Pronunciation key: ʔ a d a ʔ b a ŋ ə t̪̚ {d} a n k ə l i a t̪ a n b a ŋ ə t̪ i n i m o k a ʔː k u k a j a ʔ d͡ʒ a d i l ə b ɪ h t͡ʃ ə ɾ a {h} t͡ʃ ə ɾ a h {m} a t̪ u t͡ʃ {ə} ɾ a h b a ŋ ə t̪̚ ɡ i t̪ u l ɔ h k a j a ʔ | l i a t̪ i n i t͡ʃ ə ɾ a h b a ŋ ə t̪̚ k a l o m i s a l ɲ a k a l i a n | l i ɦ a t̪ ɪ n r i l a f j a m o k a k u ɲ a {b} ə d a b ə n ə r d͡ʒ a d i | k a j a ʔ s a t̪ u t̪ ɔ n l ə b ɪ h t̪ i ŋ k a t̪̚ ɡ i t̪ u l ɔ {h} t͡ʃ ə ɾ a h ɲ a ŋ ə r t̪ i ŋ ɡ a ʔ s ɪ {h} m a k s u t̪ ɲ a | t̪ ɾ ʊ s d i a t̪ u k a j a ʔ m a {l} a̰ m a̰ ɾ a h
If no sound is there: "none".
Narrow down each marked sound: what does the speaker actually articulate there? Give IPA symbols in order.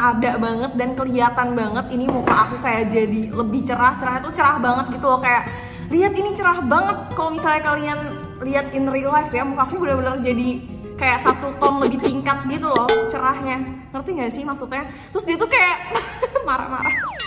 d, h, ɲ, ə, b, h, h, ɾ

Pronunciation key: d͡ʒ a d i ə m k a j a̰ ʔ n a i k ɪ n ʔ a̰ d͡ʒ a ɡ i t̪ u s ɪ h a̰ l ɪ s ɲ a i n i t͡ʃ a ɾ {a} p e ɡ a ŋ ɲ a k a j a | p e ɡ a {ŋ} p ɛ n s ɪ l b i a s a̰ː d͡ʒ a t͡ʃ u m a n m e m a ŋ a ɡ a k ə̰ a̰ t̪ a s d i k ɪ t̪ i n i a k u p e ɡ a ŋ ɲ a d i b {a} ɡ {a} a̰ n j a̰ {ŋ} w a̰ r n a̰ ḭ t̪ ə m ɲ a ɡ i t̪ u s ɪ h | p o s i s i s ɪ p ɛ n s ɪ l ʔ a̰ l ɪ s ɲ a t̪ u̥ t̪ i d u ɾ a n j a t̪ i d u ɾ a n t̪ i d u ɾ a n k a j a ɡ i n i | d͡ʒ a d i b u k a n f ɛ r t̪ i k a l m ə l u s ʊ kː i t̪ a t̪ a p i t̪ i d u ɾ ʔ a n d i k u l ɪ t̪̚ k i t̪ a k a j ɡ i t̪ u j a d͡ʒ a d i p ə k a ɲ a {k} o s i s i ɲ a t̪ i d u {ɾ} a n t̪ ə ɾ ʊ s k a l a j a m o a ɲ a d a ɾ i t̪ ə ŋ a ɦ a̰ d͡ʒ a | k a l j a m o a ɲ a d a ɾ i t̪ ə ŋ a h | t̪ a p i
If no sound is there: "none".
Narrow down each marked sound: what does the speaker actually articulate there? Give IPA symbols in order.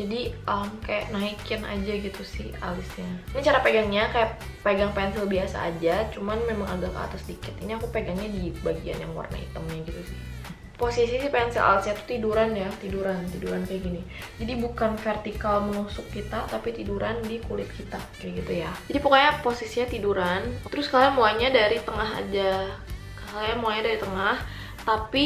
a, ŋ, a, i, ŋ, p, ɾ

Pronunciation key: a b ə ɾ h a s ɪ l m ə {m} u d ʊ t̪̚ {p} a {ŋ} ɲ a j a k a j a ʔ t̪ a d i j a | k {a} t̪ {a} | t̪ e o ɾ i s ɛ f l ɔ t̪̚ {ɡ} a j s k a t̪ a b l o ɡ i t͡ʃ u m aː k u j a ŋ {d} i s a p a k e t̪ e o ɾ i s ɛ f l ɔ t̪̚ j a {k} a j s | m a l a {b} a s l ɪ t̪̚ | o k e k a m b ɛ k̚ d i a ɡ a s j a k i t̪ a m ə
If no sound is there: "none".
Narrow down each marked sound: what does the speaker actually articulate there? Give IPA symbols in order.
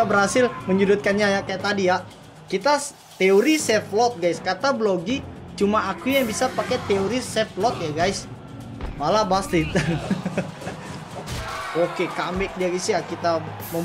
ɲ, k, n, i, a, ɡ, b, ɡ, b

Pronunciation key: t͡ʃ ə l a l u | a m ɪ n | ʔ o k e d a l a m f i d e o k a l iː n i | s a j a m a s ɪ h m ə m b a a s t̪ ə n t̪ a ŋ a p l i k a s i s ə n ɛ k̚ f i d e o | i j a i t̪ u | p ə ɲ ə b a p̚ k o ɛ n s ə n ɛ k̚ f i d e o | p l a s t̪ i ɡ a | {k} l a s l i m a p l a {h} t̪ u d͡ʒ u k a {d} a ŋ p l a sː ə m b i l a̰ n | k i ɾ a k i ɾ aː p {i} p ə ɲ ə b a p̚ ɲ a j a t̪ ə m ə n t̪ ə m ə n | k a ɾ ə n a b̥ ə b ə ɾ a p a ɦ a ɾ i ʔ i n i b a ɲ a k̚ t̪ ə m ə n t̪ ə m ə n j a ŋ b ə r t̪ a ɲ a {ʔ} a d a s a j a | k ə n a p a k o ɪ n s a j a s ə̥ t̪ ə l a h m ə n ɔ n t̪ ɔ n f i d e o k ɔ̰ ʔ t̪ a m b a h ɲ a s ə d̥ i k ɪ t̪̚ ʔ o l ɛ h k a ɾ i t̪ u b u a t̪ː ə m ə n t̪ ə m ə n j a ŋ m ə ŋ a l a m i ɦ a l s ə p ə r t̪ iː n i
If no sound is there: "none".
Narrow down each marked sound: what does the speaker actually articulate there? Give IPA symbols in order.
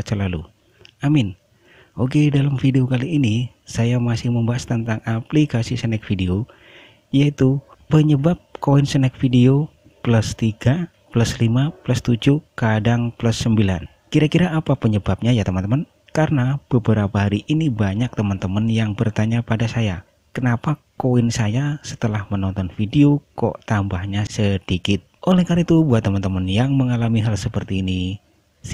p, s, d, a, p

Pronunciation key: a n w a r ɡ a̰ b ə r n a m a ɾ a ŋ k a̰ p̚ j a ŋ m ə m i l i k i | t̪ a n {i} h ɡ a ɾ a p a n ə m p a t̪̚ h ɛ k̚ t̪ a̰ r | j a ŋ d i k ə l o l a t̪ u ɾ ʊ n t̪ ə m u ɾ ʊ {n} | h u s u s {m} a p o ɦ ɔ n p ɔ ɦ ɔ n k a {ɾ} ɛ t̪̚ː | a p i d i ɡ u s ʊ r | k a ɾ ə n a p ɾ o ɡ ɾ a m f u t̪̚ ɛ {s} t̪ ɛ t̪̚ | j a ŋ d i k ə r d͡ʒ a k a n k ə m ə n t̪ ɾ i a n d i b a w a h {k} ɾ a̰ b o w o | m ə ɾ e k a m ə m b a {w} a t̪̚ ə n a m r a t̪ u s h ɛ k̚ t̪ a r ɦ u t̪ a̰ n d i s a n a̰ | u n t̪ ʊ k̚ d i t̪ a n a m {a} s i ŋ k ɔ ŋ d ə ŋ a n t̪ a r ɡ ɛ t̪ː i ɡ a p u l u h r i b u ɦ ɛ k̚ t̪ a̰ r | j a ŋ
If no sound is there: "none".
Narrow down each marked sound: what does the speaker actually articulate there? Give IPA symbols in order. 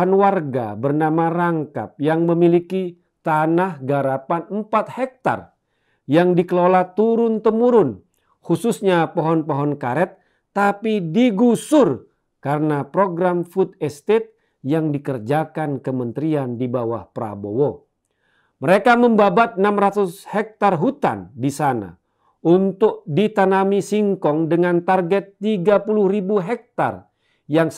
a, n, ɲ, ɾ, s, p, b, i

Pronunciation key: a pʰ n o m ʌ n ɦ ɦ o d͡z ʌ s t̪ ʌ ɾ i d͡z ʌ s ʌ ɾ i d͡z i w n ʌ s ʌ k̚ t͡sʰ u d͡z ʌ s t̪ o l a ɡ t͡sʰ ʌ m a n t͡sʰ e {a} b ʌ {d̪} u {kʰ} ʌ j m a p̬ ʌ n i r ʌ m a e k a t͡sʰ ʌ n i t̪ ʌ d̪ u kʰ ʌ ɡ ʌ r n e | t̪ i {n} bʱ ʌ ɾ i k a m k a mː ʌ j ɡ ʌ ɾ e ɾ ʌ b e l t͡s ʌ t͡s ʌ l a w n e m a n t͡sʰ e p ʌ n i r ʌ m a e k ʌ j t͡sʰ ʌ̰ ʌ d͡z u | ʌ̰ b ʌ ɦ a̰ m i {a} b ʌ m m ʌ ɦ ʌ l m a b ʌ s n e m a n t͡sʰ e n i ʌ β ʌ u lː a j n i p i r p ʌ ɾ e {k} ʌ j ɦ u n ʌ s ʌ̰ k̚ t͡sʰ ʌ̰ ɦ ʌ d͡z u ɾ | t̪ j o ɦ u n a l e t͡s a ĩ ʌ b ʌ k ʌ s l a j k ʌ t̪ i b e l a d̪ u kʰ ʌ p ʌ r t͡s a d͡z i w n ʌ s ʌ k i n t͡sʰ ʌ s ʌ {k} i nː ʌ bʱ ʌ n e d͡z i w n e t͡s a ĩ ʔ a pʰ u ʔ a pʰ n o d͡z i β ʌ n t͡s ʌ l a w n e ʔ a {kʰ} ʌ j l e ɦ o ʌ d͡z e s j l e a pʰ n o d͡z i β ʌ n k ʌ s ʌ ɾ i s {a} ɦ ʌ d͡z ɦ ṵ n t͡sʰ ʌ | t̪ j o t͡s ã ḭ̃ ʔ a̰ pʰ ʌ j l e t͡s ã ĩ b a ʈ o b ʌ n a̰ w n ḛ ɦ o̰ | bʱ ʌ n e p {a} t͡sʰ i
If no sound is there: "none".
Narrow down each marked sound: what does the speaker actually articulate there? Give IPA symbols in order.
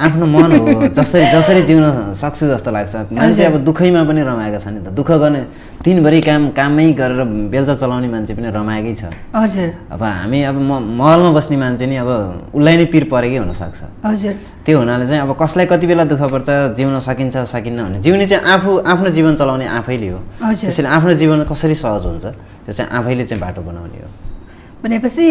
ʌ, d̪, kʰ, n, ʌ, k, k, pʰ, ʌ, ʌ

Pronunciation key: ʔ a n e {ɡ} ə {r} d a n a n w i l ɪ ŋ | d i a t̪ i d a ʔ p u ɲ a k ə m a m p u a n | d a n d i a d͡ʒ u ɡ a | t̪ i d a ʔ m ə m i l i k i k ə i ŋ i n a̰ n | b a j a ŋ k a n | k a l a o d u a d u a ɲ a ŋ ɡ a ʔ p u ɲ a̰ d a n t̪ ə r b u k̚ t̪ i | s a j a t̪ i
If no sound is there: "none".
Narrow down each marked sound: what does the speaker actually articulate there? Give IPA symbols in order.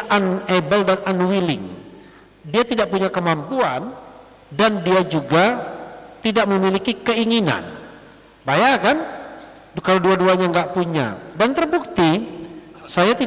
b, l

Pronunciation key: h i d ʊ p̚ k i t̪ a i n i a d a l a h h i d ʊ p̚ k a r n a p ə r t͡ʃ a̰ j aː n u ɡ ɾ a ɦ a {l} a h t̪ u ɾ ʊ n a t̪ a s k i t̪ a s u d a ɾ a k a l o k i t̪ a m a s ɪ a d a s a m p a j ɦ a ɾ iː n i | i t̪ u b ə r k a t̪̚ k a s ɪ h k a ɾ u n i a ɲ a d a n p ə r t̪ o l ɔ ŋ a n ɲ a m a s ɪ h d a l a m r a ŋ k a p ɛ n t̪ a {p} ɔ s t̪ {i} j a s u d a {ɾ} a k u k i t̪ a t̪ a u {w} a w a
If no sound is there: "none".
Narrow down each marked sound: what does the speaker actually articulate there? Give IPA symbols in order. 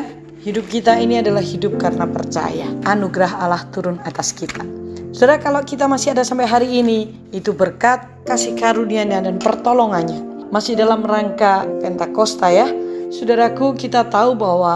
l, k, a, ɾ, b

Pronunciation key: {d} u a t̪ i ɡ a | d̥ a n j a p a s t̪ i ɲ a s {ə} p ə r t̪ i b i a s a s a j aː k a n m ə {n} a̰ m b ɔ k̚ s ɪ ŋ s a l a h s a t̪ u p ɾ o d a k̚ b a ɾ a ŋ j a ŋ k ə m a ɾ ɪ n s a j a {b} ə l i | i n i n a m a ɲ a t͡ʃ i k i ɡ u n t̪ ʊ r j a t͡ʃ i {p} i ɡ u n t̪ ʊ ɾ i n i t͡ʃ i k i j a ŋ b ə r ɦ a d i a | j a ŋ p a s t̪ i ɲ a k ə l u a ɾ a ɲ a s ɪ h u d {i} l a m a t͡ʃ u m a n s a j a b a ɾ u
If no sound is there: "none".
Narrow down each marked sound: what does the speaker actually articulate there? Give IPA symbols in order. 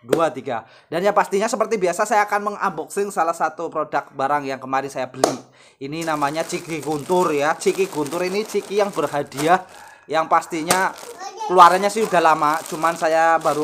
d, ə, ŋ, b, k, a

